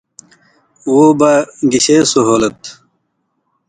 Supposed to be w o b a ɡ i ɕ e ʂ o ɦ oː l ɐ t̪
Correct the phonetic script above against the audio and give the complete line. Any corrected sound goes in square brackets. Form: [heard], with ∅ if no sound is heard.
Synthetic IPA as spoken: w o b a ɡ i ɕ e [s] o ɦ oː l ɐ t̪